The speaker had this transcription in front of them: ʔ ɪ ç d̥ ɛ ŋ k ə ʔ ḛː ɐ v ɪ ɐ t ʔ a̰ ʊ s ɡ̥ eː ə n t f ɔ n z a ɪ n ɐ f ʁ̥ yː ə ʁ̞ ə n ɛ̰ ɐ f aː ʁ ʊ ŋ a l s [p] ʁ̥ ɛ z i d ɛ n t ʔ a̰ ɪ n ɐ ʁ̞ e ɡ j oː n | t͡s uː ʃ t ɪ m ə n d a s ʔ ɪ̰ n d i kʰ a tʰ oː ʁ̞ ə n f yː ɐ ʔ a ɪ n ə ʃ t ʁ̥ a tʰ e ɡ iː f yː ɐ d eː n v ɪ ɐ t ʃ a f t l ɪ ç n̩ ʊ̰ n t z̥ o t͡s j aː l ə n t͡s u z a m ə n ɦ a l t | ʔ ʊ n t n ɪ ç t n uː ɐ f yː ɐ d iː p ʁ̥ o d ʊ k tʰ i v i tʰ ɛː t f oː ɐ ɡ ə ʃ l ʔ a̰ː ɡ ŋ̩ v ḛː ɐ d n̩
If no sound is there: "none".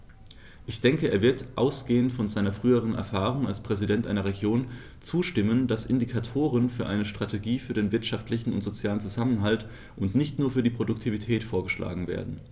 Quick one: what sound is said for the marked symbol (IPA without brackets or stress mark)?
p